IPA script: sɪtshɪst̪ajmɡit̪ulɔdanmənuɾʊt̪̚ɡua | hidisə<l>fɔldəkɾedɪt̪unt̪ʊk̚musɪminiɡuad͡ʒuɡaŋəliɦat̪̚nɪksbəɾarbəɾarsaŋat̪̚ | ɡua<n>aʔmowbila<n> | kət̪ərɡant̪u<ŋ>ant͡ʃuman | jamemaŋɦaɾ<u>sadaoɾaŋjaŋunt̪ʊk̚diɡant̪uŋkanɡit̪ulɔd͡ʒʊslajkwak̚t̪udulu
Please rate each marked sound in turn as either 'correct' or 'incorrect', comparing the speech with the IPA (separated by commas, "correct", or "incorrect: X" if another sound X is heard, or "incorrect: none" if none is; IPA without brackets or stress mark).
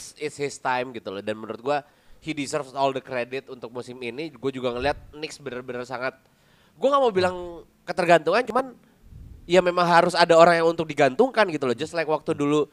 incorrect: r, incorrect: ŋ, incorrect: ŋ, correct, incorrect: ʊ